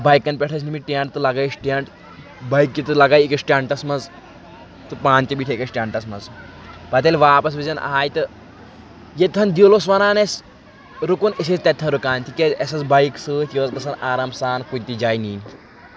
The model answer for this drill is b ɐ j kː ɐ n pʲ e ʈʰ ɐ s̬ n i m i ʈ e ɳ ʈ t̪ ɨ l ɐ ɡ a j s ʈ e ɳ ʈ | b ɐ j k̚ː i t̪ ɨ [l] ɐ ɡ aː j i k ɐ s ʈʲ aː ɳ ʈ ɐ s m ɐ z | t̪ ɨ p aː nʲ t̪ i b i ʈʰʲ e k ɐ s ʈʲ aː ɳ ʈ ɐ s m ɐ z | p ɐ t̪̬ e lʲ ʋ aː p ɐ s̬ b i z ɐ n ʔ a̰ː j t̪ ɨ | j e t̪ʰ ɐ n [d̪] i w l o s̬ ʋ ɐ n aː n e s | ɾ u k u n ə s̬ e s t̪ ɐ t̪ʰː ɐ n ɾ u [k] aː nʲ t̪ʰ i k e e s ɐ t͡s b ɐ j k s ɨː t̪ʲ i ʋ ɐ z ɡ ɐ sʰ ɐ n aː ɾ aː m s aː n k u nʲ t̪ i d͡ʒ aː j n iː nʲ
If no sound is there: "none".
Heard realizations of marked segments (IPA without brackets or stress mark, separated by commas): l, d̪, k